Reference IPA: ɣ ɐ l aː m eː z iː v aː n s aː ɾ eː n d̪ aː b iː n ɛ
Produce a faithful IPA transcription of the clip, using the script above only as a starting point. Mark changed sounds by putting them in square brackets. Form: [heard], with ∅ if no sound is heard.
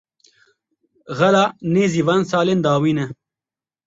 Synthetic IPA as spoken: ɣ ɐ l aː [n] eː z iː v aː n s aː [l] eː n d̪ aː [w] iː n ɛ